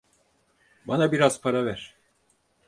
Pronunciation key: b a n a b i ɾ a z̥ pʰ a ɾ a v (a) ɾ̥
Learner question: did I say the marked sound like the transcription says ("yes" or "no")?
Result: no